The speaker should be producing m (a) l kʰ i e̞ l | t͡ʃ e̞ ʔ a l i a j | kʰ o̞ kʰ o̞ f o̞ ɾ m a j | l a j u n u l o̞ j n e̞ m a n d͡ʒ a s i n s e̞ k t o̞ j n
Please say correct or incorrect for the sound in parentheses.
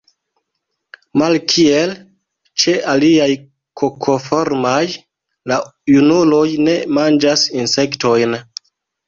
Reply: correct